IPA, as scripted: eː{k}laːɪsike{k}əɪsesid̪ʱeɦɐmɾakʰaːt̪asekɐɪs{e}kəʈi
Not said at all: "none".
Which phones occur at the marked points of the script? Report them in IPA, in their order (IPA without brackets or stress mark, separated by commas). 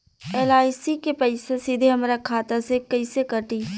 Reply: none, p, e